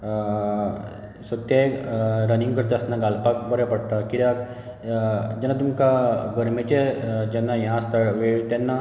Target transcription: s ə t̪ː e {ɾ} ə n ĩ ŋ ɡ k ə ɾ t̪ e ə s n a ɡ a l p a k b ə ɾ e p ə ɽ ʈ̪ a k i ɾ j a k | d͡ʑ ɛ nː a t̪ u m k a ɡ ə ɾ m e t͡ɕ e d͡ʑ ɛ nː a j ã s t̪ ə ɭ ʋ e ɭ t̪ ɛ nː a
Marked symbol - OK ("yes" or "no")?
yes